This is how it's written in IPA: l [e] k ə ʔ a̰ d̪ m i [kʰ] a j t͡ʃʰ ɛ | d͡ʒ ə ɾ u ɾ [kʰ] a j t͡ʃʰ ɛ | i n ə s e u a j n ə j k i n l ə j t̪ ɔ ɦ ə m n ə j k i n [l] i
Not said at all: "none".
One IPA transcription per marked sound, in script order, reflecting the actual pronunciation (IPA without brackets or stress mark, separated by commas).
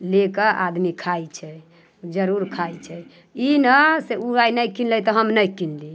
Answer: e, kʰ, kʰ, l